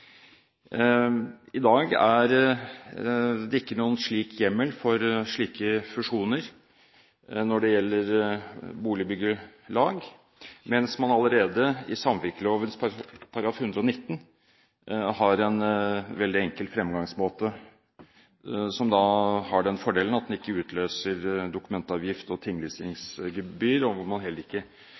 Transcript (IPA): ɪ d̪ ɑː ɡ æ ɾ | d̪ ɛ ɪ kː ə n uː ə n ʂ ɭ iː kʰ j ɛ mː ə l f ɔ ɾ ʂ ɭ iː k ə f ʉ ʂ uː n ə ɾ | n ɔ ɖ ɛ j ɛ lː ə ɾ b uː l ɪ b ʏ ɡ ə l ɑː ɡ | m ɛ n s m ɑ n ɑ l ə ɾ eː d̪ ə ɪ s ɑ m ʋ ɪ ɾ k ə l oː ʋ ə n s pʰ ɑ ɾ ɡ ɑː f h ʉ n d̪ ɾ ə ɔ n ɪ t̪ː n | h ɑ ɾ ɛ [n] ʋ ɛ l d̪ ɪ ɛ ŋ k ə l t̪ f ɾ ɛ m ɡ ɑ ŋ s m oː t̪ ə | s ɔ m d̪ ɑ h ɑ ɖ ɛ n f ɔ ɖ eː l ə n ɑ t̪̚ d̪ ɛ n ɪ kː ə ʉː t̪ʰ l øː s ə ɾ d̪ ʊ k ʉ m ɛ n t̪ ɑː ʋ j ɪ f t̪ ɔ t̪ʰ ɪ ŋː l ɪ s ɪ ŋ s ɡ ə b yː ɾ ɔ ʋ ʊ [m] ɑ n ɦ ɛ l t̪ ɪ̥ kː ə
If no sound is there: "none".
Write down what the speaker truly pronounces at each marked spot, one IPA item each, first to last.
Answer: n, m

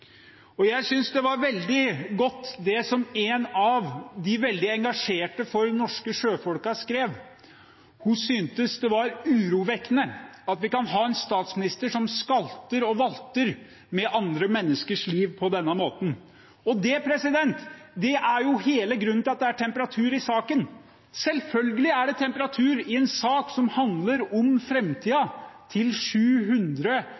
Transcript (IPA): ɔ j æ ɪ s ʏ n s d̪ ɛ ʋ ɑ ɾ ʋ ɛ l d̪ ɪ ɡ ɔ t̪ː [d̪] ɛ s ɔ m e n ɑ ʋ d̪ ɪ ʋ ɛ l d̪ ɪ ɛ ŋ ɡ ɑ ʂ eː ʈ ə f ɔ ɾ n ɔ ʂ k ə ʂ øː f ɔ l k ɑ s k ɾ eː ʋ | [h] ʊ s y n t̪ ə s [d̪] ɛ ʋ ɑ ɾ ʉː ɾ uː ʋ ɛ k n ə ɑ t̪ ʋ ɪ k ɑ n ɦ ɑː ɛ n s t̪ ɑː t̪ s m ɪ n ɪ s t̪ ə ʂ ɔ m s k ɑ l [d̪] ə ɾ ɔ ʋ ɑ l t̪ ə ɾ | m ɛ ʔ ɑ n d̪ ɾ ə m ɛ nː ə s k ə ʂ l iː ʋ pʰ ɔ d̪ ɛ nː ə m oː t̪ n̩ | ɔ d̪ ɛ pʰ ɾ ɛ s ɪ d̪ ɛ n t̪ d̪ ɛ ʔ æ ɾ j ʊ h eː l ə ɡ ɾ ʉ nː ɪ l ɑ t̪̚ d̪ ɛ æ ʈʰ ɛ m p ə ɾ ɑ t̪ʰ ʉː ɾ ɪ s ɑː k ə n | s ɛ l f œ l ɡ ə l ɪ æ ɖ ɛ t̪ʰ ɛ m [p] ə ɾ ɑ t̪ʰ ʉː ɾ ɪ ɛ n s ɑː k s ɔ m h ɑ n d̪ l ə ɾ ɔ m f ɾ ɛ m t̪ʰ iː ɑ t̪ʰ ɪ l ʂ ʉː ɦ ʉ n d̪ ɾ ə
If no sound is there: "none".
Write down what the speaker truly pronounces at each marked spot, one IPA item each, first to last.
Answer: d̪, h, d̪, t̪, p

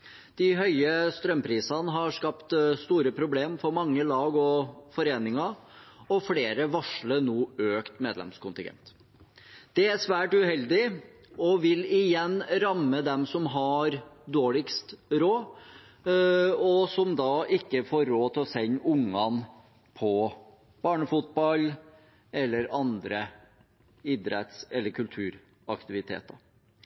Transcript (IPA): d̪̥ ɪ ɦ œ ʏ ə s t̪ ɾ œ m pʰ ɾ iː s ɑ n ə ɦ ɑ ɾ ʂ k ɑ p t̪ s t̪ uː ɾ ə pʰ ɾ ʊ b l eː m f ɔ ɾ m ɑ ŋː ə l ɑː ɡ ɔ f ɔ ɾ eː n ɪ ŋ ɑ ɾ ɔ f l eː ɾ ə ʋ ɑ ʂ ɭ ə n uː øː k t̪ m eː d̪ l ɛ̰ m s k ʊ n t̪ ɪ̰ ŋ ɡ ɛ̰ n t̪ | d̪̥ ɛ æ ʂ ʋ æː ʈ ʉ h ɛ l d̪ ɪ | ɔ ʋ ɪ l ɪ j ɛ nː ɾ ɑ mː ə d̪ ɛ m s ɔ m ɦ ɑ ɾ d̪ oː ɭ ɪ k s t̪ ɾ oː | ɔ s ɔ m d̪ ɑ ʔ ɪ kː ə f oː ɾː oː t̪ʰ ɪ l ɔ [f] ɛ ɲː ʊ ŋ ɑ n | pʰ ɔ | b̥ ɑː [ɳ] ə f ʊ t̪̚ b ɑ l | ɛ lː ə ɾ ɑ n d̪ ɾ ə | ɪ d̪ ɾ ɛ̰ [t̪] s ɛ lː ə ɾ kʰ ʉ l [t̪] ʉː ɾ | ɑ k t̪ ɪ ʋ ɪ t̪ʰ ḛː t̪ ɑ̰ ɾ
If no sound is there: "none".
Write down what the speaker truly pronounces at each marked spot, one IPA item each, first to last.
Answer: s, ɳ, t̪, t̪ʰ

